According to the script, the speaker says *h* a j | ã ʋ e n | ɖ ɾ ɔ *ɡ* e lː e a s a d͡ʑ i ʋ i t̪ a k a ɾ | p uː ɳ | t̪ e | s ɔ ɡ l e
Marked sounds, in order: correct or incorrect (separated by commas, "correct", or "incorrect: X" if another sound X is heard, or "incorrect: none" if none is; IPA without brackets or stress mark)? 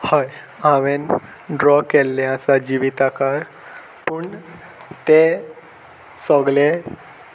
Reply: correct, incorrect: k